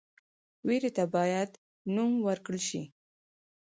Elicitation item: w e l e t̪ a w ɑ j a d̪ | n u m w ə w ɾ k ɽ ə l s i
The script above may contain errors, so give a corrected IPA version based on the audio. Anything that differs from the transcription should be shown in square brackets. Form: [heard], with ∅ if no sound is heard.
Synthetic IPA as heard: w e [ɾ] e t̪ a [b] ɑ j a d̪ | n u m w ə [∅] ɾ k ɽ ə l [ʃ] i

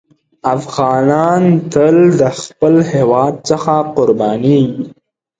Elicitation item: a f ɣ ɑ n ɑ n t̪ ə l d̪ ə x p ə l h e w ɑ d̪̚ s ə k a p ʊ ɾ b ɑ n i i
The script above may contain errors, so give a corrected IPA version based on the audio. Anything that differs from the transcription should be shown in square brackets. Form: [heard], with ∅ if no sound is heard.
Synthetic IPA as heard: a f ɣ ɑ n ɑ n t̪ ə l d̪ ə x p ə l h e w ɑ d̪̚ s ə [x] a [q] ʊ ɾ b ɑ n i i

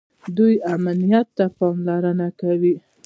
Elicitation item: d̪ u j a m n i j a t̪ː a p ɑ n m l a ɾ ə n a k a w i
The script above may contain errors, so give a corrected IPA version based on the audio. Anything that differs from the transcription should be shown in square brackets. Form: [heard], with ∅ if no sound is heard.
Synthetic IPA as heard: d̪ u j a m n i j a t̪ː a p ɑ [∅] m l a ɾ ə n a k a w i

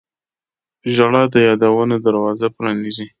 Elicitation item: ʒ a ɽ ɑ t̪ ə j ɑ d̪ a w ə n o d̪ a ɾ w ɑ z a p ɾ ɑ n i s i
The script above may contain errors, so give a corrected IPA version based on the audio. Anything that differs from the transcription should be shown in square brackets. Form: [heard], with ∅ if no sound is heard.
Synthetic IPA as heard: ʒ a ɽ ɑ [d̪] ə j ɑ d̪ a w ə n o d̪ a ɾ w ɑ z a p ɾ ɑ n i [z] i

